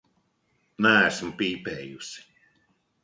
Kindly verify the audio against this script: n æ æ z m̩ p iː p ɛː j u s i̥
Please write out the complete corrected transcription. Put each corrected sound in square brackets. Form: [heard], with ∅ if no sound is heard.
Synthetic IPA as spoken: n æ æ [s] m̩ p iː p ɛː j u s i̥